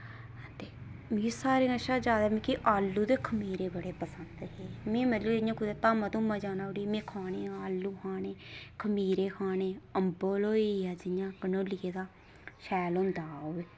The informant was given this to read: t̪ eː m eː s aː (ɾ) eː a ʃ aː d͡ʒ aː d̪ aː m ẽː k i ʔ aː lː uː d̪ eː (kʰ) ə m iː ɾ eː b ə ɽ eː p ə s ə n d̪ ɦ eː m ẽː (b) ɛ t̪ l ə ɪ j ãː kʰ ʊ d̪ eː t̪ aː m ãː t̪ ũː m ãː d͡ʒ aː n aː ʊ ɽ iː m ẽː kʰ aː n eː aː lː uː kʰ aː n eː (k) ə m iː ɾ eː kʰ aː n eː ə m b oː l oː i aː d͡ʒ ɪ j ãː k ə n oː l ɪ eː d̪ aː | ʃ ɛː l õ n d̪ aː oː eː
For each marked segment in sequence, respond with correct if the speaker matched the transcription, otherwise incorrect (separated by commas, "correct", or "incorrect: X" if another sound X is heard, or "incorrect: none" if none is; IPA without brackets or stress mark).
correct, correct, incorrect: m, incorrect: kʰ